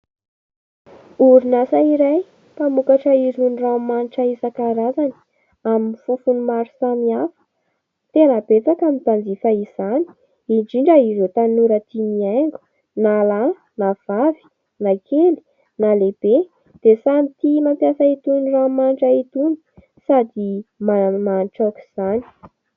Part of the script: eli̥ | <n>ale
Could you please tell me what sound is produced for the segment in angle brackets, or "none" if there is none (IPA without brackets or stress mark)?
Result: n